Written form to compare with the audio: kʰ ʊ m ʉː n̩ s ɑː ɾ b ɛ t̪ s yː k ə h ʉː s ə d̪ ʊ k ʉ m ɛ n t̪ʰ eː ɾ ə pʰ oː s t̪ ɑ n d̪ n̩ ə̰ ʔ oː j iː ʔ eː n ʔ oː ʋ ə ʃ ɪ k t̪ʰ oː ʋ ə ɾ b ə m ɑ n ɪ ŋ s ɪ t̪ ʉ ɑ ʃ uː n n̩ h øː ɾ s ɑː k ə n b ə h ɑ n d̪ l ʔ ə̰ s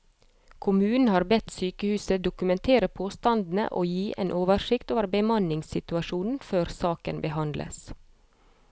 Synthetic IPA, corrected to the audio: kʰ ʊ m ʉː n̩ h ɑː ɾ b ɛ t̪ s yː k ə h ʉː s ə d̪ ʊ k ʉ m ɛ n t̪ʰ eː ɾ ə pʰ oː s t̪ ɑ n d̪ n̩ ə̰ ʔ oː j iː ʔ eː n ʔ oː ʋ ə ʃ ɪ k t̪ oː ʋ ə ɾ b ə m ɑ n ɪ ŋ s ɪ t̪ ʉ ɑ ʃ uː n n̩ f øː ɾ s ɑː k ə n b ə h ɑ n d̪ l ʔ ə̰ s